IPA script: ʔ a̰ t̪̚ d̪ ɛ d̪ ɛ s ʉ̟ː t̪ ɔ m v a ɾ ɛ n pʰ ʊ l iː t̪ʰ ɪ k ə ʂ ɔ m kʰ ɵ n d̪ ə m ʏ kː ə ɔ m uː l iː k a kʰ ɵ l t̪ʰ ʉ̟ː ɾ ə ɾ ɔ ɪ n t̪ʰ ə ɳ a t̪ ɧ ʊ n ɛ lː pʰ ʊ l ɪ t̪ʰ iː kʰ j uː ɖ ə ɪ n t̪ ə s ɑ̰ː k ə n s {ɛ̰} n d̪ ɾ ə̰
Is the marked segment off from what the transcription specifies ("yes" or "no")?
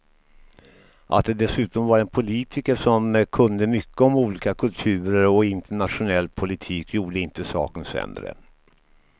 no